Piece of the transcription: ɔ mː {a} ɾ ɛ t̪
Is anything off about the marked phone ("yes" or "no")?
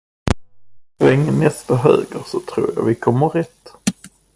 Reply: yes